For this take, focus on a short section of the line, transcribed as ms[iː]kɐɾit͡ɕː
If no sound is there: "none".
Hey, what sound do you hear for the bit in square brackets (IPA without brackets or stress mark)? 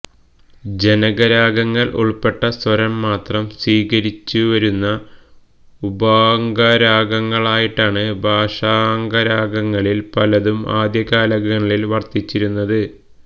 iː